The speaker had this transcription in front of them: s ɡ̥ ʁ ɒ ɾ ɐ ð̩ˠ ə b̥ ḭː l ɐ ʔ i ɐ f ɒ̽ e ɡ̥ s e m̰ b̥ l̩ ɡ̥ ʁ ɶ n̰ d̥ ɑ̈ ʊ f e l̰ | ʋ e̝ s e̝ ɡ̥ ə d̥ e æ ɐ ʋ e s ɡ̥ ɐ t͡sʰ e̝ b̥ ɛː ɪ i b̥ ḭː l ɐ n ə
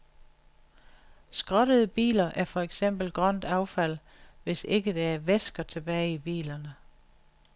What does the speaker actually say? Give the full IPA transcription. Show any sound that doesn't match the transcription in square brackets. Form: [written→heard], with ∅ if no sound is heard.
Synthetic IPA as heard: s ɡ̥ ʁ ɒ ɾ [ɐ→ə] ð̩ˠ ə b̥ ḭː l ɐ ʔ [i→æ] ɐ f ɒ̽ e ɡ̥ s e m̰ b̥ l̩ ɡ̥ ʁ ɶ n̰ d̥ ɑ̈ ʊ f [e→æ] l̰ | ʋ e̝ s e̝ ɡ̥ ə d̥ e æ ɐ ʋ e s ɡ̥ ɐ t͡sʰ e̝ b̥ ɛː ɪ i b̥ ḭː l ɐ n ə

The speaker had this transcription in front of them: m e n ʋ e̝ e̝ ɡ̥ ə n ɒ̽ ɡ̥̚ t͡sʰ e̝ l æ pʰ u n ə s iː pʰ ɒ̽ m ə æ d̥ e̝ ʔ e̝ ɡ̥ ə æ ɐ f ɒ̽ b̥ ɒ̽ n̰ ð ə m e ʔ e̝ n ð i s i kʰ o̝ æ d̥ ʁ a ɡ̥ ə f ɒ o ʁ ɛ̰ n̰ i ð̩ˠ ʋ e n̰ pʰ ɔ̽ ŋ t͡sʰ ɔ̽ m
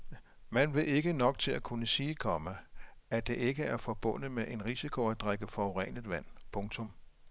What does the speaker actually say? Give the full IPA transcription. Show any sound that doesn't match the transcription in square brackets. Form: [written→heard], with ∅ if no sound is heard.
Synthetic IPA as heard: m [e→æ] n ʋ e̝ e̝ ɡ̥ ə n ɒ̽ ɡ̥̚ t͡sʰ e̝ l æ [pʰ→kʰ] u n ə s iː [pʰ→kʰ] ɒ̽ m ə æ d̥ e̝ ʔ e̝ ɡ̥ ə æ ɐ f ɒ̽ b̥ [ɒ̽→ɔ̽] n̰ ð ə m e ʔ e̝ n [ð→ʁ] i s i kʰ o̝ æ d̥ ʁ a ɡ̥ ə f ɒ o ʁ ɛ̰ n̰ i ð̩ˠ ʋ [e→æ] n̰ pʰ ɔ̽ ŋ t͡sʰ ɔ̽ m

